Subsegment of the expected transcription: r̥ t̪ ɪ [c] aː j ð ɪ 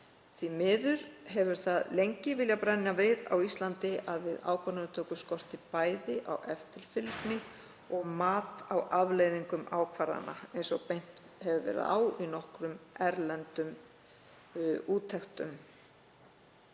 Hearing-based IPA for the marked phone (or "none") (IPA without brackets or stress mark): p